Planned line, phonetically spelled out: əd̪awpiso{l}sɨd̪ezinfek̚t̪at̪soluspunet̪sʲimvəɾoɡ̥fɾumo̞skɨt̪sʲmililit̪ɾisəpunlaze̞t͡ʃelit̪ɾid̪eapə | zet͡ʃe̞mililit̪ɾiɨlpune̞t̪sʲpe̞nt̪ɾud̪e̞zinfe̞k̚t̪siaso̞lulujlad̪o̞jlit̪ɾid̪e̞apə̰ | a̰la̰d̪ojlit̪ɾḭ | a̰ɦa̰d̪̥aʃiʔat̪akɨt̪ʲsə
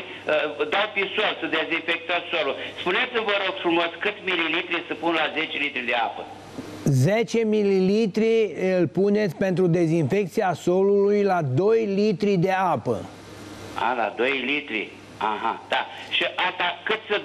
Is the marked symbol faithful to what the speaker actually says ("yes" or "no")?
yes